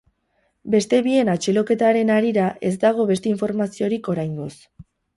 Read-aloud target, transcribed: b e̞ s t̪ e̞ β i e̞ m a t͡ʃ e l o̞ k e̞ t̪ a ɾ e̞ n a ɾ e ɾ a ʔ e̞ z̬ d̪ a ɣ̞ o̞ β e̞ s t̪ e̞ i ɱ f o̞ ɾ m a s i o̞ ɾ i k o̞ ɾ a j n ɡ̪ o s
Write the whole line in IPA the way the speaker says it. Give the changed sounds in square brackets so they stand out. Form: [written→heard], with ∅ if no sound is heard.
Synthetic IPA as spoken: b e̞ s t̪ e̞ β i e̞ [m→n] a t͡ʃ e l o̞ k e̞ t̪ a ɾ e̞ n a ɾ [e→i] ɾ a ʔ e̞ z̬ d̪ a ɣ̞ o̞ β e̞ s t̪ e̞ i ɱ f o̞ ɾ m a s i o̞ ɾ i k o̞ ɾ a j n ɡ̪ o s